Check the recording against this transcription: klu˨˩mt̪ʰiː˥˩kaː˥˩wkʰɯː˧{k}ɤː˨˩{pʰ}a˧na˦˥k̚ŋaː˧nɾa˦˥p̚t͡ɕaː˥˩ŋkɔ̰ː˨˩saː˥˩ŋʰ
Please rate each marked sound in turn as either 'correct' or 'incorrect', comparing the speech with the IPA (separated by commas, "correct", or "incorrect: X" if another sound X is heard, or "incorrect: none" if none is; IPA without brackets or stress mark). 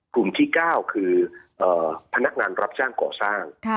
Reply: incorrect: ʔ, correct